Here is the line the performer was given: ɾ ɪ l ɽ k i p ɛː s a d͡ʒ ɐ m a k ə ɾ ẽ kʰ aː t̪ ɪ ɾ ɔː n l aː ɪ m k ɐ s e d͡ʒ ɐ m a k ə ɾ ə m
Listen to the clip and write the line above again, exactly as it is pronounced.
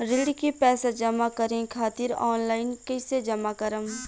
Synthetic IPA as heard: ɾ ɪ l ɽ k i p ɛː s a d͡ʒ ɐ m a k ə ɾ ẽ kʰ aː t̪ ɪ ɾ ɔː n l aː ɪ n k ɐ s e d͡ʒ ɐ m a k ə ɾ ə m